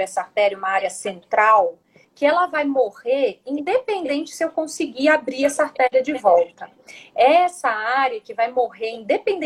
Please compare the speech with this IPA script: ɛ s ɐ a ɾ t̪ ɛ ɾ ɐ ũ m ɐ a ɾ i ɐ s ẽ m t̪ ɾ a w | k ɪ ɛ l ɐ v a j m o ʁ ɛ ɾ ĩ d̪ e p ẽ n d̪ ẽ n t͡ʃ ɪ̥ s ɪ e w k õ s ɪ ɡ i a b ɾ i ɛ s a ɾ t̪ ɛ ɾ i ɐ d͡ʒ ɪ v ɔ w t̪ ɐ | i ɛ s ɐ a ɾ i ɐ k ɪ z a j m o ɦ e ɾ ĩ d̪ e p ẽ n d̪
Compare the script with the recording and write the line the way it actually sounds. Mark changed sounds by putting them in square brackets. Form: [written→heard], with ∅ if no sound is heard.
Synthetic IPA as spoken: ɛ s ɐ a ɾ t̪ ɛ ɾ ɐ ũ m ɐ a ɾ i ɐ s ẽ [m→n] t̪ ɾ a w | k ɪ ɛ l ɐ v a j m o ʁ [ɛ→e] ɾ ĩ d̪ e p ẽ n d̪ ẽ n t͡ʃ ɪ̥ s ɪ e w k õ s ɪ ɡ i a b ɾ i ɛ s a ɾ t̪ ɛ ɾ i ɐ d͡ʒ ɪ v ɔ w t̪ ɐ | [i→ɛ] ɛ s ɐ a ɾ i ɐ k ɪ [z→v] a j m o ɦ e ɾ ĩ d̪ e p ẽ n d̪